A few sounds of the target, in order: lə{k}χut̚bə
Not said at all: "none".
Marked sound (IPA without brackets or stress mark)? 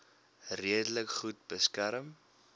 k